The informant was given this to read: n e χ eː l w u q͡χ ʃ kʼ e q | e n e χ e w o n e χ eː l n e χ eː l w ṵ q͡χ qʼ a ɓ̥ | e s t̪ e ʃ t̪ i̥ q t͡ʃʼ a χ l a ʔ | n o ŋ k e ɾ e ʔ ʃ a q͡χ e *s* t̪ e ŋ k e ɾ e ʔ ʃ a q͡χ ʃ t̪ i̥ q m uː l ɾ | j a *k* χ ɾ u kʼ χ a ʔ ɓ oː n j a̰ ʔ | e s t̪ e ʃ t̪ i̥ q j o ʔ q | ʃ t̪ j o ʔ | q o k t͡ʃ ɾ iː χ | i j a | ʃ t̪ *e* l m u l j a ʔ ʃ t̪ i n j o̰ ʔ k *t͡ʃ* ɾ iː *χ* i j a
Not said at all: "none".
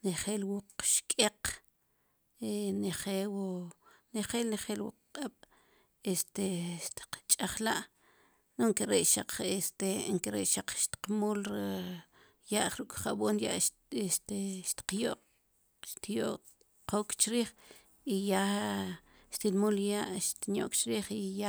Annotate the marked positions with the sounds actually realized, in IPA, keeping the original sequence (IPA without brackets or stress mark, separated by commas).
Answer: s, ʔ, i, t͡ʃ, χ